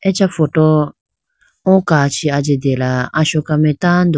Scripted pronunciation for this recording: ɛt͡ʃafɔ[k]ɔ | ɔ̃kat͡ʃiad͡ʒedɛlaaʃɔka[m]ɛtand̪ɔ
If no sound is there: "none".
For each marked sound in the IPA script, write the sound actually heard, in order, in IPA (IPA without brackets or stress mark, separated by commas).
t, m